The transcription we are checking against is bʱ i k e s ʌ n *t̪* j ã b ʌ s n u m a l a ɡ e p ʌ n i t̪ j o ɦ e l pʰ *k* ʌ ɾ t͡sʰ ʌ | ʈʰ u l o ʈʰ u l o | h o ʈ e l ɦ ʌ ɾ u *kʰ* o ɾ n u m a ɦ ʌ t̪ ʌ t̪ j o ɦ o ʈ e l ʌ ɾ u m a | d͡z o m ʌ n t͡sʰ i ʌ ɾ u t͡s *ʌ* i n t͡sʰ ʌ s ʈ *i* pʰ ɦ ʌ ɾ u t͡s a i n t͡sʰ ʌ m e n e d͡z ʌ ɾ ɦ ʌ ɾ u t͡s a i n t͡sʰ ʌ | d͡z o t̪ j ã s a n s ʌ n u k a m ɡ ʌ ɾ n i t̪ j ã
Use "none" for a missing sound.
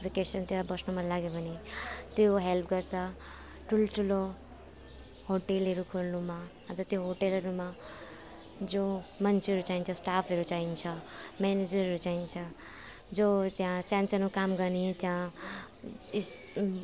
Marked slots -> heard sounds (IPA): t̪, ɡ, kʰ, a, a

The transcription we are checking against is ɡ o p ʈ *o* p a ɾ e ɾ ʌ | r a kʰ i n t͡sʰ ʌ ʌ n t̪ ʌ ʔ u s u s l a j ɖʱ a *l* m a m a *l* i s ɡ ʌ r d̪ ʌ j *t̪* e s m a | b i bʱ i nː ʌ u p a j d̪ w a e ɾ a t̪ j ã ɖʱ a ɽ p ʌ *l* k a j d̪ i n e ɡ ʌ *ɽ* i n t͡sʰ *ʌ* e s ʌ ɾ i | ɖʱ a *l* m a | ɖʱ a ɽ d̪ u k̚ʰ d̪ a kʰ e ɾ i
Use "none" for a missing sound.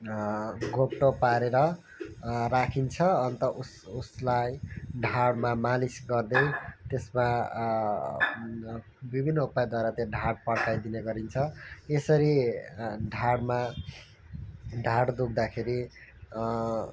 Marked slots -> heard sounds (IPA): o, ɽ, l, t̪, ɽ, ɾ, ʌ, ɽ

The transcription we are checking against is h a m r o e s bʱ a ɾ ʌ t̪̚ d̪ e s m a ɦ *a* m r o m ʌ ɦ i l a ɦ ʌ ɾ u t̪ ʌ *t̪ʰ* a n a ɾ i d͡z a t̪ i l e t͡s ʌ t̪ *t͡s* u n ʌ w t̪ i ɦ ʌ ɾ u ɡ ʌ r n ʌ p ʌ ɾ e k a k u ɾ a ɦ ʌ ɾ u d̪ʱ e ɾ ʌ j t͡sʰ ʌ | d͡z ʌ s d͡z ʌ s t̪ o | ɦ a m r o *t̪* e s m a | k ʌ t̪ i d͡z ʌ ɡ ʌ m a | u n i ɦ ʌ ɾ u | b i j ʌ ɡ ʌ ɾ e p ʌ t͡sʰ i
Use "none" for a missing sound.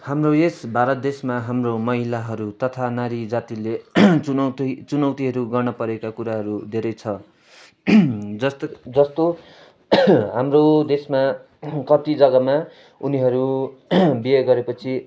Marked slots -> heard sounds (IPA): a, t̪ʰ, t͡s, d̪

